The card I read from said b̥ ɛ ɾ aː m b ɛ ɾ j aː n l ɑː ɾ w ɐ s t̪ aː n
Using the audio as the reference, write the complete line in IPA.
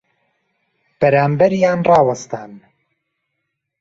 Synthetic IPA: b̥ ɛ ɾ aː m b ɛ ɾ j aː n r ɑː w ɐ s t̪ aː n